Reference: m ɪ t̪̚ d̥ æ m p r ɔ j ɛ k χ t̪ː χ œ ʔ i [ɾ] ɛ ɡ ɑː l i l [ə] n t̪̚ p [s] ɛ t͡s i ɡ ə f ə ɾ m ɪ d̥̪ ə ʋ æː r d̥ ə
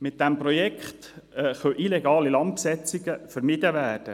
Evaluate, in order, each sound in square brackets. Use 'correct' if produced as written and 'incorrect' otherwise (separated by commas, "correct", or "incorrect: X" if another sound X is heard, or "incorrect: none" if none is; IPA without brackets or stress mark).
incorrect: l, incorrect: ɑ, correct